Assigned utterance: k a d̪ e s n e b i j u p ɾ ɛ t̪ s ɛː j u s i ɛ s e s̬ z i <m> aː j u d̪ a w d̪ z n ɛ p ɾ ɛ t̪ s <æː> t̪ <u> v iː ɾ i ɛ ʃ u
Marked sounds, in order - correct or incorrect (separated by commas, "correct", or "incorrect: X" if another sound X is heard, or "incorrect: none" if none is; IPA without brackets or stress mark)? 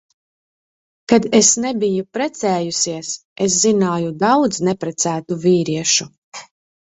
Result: incorrect: n, correct, correct